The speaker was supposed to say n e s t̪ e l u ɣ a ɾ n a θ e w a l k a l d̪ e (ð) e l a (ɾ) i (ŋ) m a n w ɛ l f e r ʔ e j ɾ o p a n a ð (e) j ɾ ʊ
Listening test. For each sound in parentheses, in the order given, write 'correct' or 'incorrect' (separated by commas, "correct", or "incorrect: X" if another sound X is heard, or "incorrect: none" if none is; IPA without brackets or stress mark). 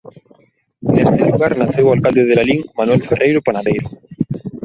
correct, incorrect: l, correct, correct